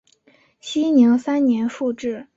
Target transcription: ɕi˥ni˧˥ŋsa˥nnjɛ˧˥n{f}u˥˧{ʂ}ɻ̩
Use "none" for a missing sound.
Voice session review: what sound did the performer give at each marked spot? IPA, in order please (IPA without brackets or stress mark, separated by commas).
ʂ, ʈ͡ʂ